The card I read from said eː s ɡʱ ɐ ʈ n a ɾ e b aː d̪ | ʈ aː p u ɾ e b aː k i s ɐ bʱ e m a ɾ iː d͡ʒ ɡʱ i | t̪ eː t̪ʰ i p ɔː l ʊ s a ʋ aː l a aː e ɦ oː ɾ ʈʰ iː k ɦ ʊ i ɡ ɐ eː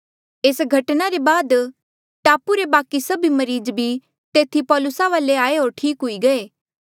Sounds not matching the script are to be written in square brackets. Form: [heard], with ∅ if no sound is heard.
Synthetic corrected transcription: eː s ɡʱ ɐ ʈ n a ɾ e b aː d̪ | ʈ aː p u ɾ e b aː k i s ɐ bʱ [i] m [ɐ] ɾ iː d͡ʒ [bʱ] i | t̪ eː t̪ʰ i p ɔː l ʊ s a ʋ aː l [e] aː e ɦ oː ɾ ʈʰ iː k ɦ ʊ i ɡ ɐ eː